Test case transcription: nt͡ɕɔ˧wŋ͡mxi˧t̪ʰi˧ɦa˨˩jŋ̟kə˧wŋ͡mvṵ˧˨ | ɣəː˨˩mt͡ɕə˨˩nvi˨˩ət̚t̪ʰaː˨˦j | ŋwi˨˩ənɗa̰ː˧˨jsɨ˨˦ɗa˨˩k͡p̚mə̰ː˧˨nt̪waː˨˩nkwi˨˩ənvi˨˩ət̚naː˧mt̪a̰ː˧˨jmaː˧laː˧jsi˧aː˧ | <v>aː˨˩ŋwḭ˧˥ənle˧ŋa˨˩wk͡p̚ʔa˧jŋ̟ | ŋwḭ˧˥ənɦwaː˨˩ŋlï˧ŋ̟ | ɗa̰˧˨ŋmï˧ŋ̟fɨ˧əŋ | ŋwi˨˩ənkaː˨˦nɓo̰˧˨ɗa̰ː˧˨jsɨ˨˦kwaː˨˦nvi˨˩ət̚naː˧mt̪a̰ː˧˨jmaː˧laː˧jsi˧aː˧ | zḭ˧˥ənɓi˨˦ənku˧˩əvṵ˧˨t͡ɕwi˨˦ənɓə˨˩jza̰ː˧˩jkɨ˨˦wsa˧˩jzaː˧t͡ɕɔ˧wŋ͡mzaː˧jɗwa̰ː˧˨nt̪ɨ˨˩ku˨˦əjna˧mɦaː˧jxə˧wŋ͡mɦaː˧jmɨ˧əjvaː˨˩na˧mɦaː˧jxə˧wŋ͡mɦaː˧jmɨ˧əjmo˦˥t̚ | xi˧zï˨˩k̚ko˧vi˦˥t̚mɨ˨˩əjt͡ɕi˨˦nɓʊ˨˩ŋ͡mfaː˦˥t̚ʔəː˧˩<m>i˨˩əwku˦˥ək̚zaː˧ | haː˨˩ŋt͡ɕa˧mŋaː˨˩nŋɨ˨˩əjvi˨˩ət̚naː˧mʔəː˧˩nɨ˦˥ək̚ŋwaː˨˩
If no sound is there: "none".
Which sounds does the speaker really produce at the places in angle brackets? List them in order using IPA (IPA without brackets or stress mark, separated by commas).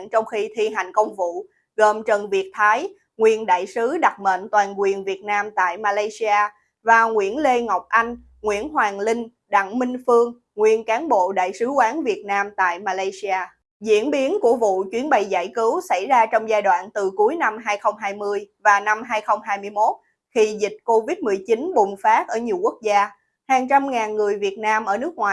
v, ɲ